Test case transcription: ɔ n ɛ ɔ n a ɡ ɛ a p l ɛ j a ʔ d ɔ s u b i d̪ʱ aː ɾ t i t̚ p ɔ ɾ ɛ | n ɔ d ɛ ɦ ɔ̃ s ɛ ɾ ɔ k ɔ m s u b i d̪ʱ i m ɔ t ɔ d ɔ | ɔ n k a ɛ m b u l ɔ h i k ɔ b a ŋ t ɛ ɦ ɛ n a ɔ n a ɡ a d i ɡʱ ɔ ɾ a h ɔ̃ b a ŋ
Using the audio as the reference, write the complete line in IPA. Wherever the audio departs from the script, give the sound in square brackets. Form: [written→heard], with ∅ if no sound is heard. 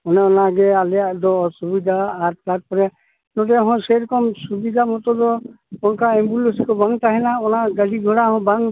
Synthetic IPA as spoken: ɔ n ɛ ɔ n a ɡ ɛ a [p→∅] l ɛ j a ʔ d ɔ s u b i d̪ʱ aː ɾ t [i→a] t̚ p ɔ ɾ ɛ | n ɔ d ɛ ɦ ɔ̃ s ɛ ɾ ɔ k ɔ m s u b i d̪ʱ [i→a] m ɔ t ɔ d ɔ | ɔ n k a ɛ m b u l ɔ [h→s] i k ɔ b a ŋ t [ɛ→a] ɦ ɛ n a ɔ n a ɡ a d i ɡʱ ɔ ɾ a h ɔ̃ b a ŋ